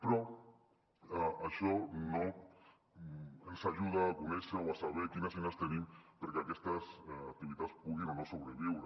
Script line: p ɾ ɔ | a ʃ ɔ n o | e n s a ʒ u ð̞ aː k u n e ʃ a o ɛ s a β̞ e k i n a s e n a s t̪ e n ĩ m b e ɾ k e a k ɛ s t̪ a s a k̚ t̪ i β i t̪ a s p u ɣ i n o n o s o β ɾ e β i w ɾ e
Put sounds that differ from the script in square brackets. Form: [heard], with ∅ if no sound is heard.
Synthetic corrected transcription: p ɾ ɔ | a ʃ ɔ n o | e n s a ʒ u ð̞ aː k u n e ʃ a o [a] s a β̞ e k i n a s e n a s t̪ e n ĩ m [p] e ɾ k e a k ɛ s t̪ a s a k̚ t̪ i β i t̪ a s p u ɣ i n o n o s o β ɾ e β i w ɾ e